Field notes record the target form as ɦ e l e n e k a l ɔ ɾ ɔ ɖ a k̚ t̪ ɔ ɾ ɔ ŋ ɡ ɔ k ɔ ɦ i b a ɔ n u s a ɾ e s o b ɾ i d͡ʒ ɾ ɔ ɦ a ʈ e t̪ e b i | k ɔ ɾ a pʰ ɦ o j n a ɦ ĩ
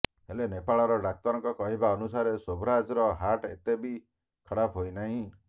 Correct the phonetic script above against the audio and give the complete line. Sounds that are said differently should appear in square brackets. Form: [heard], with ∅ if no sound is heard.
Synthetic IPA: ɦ e l e n e [p] a [ɭ] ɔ ɾ ɔ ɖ a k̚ t̪ ɔ ɾ ɔ ŋ [k] ɔ k ɔ ɦ i b a ɔ n u s a ɾ e s o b ɾ [a] d͡ʒ ɾ ɔ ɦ a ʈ e t̪ e b i | [kʰ] ɔ [ɽ] a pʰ ɦ o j n a ɦ ĩ